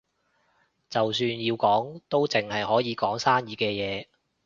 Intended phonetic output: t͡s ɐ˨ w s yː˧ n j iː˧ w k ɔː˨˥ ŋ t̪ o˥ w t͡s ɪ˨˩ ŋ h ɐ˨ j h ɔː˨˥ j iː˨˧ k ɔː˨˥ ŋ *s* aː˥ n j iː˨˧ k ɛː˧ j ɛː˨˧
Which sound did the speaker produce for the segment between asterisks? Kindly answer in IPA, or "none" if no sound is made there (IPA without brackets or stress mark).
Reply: s